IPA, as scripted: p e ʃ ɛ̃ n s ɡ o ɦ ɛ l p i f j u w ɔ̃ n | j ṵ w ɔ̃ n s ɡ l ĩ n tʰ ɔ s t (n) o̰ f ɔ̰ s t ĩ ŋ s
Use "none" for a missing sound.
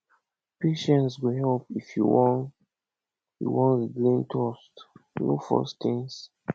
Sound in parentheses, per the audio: n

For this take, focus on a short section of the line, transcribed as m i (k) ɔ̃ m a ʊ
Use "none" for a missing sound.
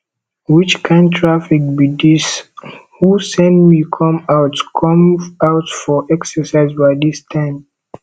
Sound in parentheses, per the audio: kʰ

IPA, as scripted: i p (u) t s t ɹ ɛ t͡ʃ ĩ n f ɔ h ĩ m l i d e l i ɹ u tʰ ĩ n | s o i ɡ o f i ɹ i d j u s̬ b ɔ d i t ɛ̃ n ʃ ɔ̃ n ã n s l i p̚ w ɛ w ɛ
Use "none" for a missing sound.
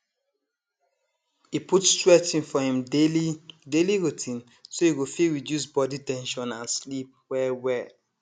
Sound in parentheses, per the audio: u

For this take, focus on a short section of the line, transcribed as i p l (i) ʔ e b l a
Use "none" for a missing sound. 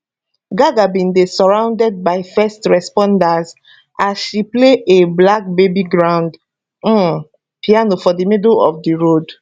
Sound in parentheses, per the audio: e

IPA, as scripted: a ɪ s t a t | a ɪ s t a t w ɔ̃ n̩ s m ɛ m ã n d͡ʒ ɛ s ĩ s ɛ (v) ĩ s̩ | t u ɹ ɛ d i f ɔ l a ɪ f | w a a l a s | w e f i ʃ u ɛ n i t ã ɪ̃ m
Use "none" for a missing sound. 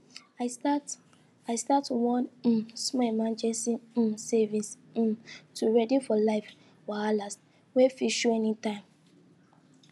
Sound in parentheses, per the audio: v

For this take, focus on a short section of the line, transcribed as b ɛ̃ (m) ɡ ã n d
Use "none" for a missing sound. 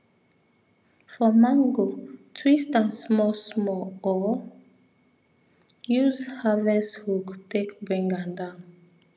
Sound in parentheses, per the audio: ŋ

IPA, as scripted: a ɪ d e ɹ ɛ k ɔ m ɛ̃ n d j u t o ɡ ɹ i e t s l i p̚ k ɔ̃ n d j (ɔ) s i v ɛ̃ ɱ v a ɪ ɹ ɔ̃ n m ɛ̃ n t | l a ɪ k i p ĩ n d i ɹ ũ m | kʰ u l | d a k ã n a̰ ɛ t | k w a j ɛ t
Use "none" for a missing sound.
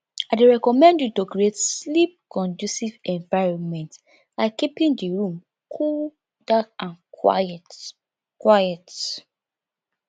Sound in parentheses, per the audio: u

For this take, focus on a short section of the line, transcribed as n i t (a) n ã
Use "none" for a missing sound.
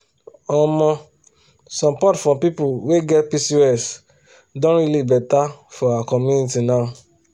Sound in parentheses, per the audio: i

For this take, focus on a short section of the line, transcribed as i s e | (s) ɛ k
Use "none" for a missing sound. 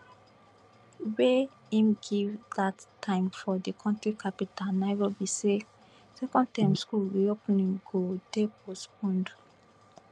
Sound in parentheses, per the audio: s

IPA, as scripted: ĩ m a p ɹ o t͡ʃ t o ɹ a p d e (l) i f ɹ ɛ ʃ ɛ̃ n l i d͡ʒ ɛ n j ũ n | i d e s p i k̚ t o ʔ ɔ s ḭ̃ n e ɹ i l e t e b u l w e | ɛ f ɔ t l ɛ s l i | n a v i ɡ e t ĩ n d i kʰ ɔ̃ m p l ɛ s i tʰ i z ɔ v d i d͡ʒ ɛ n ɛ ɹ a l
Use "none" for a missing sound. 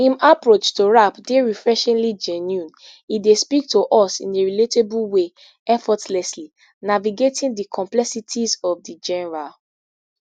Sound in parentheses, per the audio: ɹ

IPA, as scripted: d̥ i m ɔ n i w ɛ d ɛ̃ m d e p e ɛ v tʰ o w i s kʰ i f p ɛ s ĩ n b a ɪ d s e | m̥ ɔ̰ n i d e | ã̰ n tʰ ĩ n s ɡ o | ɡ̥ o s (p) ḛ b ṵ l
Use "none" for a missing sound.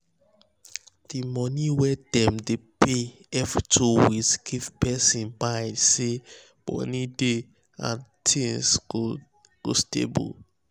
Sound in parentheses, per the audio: t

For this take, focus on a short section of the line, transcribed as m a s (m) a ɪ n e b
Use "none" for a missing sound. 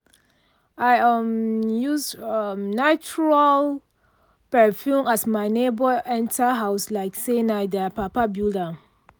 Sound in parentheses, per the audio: m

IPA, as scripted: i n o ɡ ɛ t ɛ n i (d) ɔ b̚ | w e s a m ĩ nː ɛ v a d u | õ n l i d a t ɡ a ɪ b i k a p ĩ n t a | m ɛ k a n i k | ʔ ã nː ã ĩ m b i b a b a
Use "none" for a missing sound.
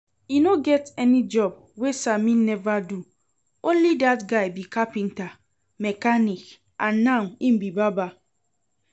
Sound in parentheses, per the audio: d͡ʒ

